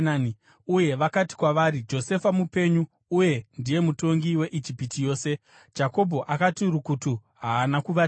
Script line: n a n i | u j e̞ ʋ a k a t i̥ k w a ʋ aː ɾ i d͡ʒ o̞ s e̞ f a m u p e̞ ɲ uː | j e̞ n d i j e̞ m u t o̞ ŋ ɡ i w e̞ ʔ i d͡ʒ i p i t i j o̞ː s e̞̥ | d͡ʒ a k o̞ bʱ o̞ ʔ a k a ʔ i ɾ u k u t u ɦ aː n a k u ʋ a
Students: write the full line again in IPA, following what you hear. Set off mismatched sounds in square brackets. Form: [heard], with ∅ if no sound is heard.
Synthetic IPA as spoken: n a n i | u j e̞ ʋ a k a t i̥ k w a ʋ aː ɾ i d͡ʒ o̞ s e̞ f a m u p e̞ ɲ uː | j e̞ n d i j e̞ m u t o̞ ŋ ɡ i w e̞ ʔ i d͡ʒ i p i t i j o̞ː s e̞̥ | d͡ʒ a k o̞ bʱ o̞ ʔ a k a [t] i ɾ u k u t u ɦ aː n a k u ʋ a

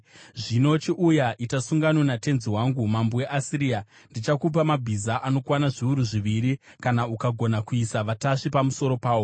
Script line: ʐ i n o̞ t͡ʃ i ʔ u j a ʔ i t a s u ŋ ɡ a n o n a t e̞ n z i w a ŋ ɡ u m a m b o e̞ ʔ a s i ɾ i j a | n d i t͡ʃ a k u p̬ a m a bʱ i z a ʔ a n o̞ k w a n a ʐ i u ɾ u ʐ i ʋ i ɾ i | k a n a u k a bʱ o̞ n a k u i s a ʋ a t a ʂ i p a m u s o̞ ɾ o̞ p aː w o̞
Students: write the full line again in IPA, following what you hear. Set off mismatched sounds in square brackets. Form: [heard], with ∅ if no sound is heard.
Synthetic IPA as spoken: ʐ i n o̞ t͡ʃ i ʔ u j a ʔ i t a s u ŋ ɡ a n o n a t e̞ n z i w a ŋ ɡ u m a m b o e̞ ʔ a s i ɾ i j a | n d i t͡ʃ a k u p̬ a m a bʱ i z a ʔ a n o̞ k w a n a ʐ i u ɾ u ʐ i ʋ i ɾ i | k a n a u k a [ɡʱ] o̞ n a k u i s a ʋ a t a ʂ i p a m u s o̞ ɾ o̞ p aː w o̞

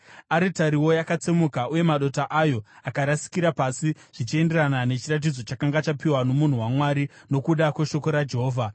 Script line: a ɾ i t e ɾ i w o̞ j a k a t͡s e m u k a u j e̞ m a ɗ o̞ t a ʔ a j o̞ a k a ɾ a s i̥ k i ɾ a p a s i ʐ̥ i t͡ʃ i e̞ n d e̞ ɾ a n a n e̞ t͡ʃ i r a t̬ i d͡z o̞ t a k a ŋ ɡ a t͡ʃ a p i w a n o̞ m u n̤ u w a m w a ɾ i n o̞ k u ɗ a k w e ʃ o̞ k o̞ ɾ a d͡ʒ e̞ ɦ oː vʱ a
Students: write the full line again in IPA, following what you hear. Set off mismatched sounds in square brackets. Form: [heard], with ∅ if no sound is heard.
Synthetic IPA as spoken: a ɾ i t [a] ɾ i w o̞ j a k a t͡s e m u k a u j e̞ m a ɗ o̞ t a ʔ a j o̞ a k a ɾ a s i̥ k i ɾ a p a s i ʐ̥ i t͡ʃ i e̞ n d e̞ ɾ a n a n e̞ t͡ʃ i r a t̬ i d͡z o̞ [t͡ʃ] a k a ŋ ɡ a t͡ʃ a p i w a n o̞ m u n̤ u w a m w a ɾ i n o̞ k u ɗ a k w e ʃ o̞ k o̞ ɾ a d͡ʒ e̞ ɦ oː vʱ a

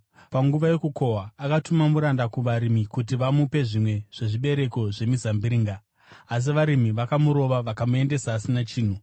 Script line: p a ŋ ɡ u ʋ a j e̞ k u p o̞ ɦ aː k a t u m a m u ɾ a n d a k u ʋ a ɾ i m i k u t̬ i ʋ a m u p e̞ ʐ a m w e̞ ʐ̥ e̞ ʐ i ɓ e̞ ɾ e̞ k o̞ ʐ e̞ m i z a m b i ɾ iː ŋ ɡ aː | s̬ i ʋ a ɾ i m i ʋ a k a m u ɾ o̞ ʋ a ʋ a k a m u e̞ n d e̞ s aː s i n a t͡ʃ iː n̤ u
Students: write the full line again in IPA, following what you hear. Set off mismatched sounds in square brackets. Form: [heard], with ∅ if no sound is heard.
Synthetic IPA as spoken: p a ŋ ɡ u ʋ a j e̞ k u [k] o̞ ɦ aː k a t u m a m u ɾ a n d a k u ʋ a ɾ i m i k u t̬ i ʋ a m u p e̞ ʐ [i] m w e̞ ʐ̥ e̞ ʐ i ɓ e̞ ɾ e̞ k o̞ ʐ e̞ m i z a m b i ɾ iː ŋ ɡ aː | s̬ i ʋ a ɾ i m i ʋ a k a m u ɾ o̞ ʋ a ʋ a k a m u e̞ n d e̞ s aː s i n a t͡ʃ iː n̤ u

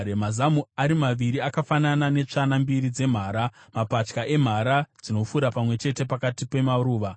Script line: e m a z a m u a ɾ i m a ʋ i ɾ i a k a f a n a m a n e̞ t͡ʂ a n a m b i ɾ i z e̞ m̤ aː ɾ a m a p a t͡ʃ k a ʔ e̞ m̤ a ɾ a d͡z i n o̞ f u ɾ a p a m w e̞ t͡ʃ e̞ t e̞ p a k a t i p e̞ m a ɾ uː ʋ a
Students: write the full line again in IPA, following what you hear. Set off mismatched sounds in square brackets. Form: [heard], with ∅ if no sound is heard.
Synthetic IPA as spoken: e m a z a m u a ɾ i m a ʋ i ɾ i a k a f a n a [n] a n e̞ t͡ʂ a n a m b i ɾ i [d͡z] e̞ m̤ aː ɾ a m a p a t͡ʃ k a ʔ e̞ m̤ a ɾ a d͡z i n o̞ f u ɾ a p a m w e̞ t͡ʃ e̞ t e̞ p a k a t i p e̞ m a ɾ uː ʋ a

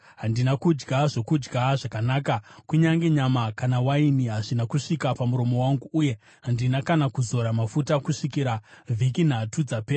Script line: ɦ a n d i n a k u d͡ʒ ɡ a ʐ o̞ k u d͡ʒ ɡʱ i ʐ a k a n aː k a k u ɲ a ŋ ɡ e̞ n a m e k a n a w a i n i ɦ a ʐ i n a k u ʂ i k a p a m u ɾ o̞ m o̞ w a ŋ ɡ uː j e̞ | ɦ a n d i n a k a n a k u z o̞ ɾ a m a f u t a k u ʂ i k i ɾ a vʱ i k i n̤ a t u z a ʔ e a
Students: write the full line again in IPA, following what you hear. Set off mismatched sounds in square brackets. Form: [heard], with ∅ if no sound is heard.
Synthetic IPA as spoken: ɦ a n d i n a k u d͡ʒ ɡ a ʐ o̞ k u d͡ʒ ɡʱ [a] ʐ a k a n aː k a k u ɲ a ŋ ɡ e̞ [ɲ] a m [a] k a n a w a i n i ɦ a ʐ i n a k u ʂ i k a p a m u ɾ o̞ m o̞ w a ŋ ɡ uː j e̞ | ɦ a n d i n a k a n a k u z o̞ ɾ a m a f u t a k u ʂ i k i ɾ a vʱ i k i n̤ a t u [d͡z] a [p] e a

